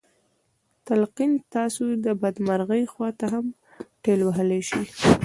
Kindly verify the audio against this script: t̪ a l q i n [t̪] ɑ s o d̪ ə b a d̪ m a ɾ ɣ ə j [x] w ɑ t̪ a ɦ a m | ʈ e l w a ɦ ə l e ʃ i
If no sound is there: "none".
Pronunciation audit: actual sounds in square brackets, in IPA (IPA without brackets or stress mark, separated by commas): t̪, x